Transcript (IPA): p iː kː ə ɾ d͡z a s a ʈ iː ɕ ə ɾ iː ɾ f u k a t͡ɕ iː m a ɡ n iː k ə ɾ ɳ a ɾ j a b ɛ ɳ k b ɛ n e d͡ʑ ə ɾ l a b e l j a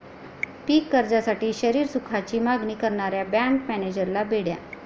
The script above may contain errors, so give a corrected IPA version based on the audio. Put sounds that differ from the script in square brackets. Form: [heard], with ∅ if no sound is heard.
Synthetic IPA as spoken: p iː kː ə ɾ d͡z a s a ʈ iː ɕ ə ɾ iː ɾ [s] u [kʰ] a t͡ɕ iː m a ɡ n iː k ə ɾ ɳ a ɾ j a b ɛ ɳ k [m] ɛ n e d͡ʑ ə ɾ l a b e [ɽ] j a